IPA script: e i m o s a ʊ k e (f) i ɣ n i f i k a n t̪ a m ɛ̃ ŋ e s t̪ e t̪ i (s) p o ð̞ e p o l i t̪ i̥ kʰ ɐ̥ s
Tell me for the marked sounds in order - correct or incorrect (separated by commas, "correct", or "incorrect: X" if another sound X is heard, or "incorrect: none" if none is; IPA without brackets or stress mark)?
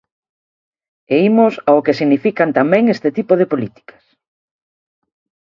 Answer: incorrect: s, incorrect: none